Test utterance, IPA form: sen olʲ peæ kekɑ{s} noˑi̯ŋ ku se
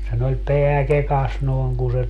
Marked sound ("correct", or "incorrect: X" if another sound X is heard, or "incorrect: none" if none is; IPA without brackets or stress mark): correct